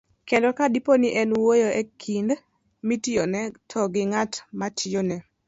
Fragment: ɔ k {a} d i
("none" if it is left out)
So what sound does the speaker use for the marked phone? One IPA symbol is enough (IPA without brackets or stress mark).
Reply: a